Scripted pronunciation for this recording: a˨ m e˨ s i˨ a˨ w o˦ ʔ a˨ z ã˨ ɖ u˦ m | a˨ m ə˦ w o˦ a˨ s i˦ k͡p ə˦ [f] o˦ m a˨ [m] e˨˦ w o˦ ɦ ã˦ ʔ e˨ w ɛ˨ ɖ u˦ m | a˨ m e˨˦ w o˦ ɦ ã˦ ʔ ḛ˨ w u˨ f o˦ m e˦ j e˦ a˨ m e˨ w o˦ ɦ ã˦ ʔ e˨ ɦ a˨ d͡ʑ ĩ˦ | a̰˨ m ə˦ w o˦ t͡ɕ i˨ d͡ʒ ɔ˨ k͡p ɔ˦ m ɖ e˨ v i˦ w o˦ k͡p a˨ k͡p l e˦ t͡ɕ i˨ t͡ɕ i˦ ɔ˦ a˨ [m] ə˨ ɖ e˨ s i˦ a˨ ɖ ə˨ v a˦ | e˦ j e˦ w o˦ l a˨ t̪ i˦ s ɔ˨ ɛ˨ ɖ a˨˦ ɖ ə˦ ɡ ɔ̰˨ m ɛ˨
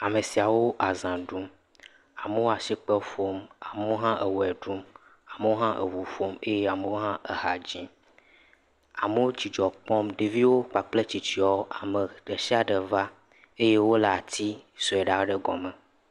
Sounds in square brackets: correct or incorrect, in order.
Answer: correct, correct, correct

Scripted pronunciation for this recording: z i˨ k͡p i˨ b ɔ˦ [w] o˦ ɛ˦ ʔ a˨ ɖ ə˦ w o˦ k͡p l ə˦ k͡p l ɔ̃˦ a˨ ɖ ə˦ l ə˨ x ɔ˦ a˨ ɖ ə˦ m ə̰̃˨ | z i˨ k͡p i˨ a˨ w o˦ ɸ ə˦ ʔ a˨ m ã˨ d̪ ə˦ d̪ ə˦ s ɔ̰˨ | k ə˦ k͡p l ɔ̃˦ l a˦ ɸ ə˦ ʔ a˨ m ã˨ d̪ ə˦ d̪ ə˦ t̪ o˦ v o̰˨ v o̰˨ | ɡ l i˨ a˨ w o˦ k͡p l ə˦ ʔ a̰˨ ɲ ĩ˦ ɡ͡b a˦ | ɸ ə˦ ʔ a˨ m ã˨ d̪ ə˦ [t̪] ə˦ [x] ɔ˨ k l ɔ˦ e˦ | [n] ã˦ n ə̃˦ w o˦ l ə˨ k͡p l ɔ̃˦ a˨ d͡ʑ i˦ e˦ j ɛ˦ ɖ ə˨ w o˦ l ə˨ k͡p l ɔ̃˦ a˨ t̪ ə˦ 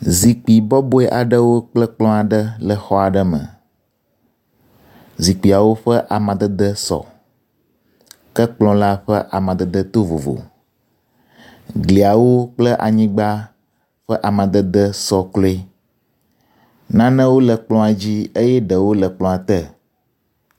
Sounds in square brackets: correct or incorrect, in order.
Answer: incorrect: b, incorrect: d̪, incorrect: s, correct

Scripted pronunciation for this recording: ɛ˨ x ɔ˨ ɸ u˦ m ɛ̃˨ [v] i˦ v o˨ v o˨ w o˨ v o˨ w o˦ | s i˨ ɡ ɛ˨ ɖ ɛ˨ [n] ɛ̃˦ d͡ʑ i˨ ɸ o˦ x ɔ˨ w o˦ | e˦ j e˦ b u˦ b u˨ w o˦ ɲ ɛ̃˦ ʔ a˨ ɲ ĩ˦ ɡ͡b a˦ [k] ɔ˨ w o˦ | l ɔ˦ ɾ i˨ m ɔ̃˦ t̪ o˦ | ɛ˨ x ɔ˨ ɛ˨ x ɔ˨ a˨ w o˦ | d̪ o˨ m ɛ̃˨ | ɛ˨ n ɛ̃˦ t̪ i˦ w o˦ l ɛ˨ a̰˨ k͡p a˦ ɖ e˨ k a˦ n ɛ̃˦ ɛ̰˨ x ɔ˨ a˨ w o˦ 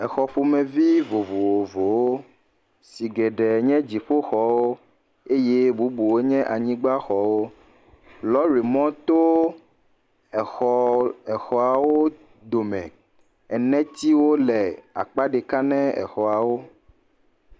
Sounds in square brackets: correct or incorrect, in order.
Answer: correct, incorrect: ɲ, incorrect: x

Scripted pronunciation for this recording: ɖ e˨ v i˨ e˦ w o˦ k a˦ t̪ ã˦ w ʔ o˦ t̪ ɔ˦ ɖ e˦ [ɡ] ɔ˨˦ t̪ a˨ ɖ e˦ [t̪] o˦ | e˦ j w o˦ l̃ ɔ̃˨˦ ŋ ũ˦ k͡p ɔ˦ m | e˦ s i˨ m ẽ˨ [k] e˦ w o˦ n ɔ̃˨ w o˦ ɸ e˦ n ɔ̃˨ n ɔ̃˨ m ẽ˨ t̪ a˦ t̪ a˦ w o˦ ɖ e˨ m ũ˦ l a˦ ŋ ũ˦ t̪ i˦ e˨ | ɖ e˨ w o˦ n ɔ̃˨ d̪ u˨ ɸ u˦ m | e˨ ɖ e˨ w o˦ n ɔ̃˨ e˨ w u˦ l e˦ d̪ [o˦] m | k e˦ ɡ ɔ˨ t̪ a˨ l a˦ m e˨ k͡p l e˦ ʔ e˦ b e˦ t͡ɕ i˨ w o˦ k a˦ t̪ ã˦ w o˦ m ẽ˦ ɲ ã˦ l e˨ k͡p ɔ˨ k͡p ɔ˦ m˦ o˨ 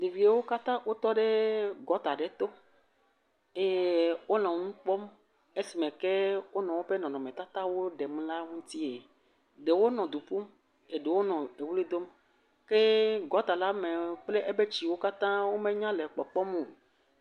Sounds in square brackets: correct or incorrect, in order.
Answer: correct, correct, correct, correct

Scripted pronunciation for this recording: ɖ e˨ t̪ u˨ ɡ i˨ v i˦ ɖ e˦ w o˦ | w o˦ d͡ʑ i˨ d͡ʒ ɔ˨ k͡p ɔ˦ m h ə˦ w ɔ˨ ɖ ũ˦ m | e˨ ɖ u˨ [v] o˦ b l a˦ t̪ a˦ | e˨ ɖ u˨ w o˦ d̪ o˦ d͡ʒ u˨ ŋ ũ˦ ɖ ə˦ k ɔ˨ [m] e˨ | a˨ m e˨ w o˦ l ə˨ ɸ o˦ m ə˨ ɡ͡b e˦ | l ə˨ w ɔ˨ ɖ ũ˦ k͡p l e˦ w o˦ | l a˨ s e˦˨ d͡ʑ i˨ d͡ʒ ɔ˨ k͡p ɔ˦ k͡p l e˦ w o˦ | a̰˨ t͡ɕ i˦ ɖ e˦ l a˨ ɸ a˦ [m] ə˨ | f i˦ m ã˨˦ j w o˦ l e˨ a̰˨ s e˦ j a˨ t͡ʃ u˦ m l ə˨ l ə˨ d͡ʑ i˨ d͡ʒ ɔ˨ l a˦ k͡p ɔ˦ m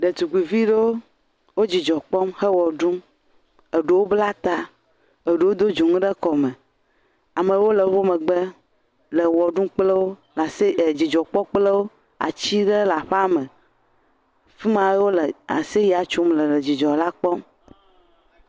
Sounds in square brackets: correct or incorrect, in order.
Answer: incorrect: w, correct, correct

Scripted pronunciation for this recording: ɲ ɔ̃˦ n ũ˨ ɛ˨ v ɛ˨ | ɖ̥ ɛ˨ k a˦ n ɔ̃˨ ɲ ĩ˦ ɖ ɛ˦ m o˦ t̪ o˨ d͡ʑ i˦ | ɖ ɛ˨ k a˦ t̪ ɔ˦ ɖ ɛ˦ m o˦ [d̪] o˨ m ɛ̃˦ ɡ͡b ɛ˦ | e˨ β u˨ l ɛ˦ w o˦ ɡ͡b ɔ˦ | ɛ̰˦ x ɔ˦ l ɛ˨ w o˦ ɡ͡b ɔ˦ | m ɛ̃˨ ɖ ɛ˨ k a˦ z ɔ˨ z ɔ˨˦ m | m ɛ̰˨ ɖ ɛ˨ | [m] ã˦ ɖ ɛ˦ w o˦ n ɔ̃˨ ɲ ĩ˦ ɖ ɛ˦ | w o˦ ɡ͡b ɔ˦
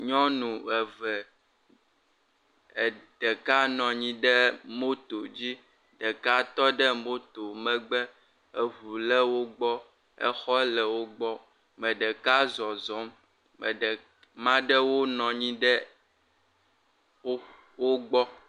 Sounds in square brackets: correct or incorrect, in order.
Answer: incorrect: t̪, correct

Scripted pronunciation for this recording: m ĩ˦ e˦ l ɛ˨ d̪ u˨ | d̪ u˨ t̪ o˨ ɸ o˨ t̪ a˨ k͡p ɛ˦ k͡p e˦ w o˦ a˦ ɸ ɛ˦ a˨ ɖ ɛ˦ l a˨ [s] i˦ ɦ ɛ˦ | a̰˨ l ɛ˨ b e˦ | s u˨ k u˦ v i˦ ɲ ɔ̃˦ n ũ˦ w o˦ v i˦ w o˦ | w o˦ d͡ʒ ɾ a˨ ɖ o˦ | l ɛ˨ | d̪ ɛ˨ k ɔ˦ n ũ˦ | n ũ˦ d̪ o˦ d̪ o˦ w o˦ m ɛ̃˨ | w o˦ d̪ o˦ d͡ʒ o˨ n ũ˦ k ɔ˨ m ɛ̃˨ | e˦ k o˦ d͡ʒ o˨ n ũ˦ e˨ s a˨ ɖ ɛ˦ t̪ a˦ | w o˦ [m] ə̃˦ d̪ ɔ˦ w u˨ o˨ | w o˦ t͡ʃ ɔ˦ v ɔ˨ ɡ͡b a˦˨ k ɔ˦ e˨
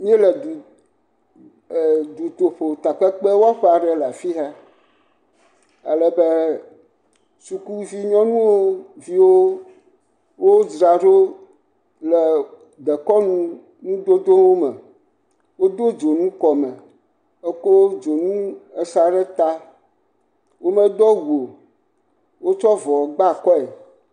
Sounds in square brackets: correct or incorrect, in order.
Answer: incorrect: f, correct

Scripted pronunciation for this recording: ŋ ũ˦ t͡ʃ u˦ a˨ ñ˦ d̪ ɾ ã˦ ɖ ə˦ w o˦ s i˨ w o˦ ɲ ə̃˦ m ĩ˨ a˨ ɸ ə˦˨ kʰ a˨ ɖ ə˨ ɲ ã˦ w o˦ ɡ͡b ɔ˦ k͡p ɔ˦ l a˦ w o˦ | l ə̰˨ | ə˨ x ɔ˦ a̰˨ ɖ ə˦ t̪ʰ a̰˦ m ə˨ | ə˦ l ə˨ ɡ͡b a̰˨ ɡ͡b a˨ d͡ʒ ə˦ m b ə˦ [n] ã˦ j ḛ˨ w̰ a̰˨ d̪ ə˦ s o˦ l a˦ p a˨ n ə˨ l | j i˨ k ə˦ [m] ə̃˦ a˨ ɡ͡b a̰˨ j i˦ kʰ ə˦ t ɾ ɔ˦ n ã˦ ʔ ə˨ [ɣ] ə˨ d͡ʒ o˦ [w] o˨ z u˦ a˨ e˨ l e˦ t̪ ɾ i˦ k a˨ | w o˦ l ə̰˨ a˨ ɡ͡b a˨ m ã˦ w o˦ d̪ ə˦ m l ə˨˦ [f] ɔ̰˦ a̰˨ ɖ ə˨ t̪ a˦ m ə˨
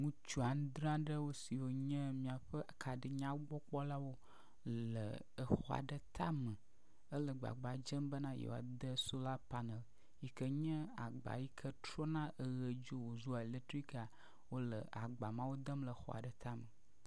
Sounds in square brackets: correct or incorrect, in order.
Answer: correct, incorrect: ɲ, correct, correct, incorrect: x

